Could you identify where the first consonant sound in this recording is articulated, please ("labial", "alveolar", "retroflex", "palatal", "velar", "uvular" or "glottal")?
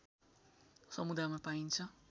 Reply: alveolar